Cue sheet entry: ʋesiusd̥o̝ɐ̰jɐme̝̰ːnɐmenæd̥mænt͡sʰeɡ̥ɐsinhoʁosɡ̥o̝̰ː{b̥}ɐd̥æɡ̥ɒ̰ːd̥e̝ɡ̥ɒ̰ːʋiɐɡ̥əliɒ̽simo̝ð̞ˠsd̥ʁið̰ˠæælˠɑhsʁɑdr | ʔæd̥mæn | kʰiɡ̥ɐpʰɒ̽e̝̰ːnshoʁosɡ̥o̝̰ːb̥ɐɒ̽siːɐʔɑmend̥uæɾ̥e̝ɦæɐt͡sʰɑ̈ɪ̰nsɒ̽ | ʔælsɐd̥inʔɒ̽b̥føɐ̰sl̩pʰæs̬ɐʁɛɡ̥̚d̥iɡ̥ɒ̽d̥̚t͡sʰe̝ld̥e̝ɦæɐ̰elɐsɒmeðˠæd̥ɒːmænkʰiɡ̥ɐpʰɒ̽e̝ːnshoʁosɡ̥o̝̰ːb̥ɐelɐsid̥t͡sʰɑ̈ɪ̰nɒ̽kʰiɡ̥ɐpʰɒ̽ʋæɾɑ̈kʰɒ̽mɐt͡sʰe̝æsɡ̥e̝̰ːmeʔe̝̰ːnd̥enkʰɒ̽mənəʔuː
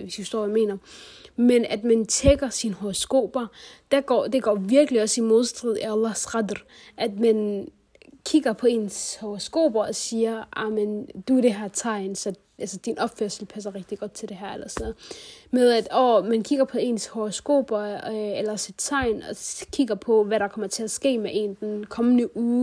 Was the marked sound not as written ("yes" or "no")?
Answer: no